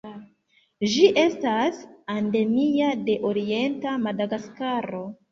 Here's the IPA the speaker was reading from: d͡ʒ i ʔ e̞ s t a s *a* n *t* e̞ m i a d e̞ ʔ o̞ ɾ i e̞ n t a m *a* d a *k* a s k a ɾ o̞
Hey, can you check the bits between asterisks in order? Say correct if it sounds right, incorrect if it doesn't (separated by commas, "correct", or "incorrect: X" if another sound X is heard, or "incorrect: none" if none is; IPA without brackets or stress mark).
correct, incorrect: d, correct, incorrect: ɡ